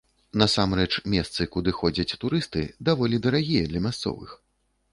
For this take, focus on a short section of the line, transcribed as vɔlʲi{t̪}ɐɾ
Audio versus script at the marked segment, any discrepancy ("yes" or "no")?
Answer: yes